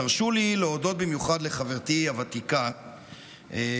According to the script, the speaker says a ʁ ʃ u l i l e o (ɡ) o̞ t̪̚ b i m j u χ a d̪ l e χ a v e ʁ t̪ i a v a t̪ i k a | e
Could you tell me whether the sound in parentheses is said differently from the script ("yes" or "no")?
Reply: yes